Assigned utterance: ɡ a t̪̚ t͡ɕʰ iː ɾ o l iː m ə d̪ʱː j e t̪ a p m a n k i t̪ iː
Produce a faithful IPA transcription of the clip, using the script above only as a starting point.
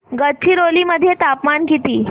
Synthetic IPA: ɡ ə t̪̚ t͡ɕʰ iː ɾ o l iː m ə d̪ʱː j e t̪ a p m a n k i t̪ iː